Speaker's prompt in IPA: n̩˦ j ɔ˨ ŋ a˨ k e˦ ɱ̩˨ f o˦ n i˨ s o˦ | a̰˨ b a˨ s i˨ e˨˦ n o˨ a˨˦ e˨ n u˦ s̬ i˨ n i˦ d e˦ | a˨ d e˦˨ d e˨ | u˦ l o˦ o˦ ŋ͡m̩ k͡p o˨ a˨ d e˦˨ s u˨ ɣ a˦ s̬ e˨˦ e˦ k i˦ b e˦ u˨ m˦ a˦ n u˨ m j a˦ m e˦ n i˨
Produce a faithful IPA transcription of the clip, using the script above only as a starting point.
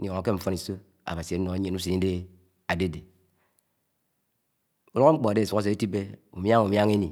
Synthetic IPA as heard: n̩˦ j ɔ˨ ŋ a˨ k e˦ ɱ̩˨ f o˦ n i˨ s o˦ | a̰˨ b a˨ s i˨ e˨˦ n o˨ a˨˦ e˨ n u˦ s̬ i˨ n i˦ d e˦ | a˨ d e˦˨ d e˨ | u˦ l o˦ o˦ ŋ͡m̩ k͡p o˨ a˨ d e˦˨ s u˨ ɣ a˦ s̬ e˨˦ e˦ t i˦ b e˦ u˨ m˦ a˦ ŋ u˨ m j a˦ ŋ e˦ n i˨